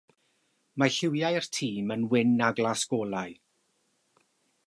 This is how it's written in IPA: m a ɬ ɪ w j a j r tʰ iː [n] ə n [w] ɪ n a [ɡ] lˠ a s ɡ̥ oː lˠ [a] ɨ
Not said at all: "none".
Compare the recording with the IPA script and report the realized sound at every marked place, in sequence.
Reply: m, w, ɡ, a

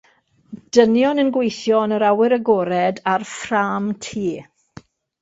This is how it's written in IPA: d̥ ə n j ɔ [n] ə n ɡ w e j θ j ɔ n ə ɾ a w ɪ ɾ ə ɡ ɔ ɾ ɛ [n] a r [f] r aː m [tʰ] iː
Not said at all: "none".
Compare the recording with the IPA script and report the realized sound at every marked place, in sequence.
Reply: n, d, f, tʰ

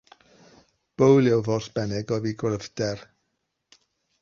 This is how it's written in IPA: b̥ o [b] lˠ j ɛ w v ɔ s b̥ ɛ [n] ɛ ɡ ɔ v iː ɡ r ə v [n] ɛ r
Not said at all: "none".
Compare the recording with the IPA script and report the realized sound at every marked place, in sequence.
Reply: w, n, d

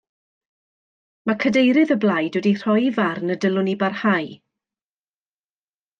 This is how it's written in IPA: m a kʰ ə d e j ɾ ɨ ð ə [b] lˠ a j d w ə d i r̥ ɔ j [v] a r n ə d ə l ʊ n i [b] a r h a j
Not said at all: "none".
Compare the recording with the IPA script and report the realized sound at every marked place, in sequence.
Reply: b, v, b

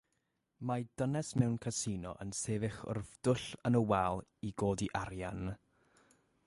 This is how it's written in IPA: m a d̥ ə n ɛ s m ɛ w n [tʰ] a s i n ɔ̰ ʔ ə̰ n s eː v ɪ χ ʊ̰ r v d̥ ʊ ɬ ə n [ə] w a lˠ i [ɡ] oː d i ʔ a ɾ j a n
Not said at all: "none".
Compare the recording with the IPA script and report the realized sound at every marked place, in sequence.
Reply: kʰ, ə, ɡ

